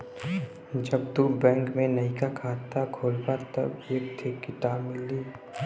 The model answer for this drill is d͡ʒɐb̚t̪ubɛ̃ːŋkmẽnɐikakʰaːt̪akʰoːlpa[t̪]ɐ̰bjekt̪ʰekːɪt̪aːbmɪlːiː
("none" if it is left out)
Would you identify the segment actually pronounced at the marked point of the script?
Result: t̪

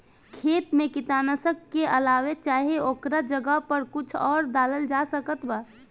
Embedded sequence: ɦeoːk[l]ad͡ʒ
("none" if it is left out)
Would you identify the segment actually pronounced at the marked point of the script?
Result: ɾ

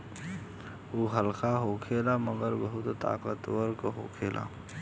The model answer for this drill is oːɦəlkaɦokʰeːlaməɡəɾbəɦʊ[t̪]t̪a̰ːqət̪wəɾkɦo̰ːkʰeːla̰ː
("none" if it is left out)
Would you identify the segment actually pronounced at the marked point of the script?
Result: t̪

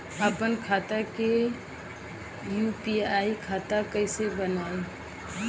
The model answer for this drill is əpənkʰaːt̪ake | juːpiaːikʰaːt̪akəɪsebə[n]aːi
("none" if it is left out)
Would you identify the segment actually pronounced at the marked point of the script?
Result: n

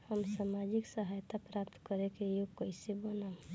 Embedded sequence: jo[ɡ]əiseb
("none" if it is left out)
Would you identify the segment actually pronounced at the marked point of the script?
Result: k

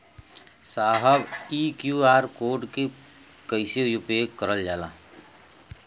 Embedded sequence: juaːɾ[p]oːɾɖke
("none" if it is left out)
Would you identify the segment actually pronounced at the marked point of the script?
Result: k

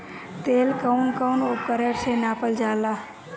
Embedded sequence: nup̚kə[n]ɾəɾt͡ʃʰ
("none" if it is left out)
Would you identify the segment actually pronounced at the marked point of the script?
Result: none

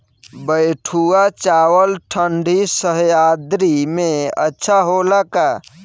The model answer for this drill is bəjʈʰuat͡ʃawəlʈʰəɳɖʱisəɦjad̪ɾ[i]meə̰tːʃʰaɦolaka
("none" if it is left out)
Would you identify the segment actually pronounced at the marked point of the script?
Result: i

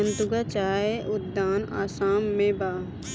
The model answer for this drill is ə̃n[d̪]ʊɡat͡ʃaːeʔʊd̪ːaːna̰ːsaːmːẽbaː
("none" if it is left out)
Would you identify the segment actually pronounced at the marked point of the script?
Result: t̪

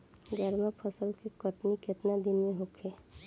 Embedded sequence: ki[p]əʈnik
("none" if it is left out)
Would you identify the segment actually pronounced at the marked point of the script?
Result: k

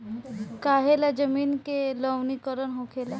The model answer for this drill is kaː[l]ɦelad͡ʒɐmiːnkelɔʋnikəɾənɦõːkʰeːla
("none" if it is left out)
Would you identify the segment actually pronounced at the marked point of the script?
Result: none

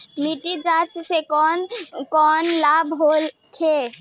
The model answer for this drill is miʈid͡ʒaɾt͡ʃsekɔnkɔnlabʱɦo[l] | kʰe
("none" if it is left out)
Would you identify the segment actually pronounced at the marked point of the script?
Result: l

